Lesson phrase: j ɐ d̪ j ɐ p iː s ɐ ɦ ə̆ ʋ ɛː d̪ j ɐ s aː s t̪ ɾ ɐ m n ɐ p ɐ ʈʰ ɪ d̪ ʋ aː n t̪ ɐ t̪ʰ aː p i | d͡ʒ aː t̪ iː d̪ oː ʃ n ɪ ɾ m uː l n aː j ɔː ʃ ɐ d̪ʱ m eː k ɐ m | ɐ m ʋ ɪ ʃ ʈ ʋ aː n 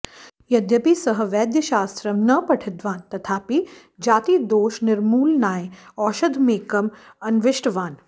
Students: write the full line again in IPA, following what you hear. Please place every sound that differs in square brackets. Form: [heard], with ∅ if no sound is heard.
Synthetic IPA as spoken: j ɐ d̪ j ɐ p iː s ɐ ɦ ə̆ ʋ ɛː d̪ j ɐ [ʃ] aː s t̪ ɾ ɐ m n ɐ p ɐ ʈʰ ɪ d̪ ʋ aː n t̪ ɐ t̪ʰ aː p i | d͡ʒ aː t̪ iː d̪ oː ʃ n ɪ ɾ m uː l n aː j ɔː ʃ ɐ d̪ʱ m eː k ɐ m | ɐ [n] ʋ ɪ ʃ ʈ ʋ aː n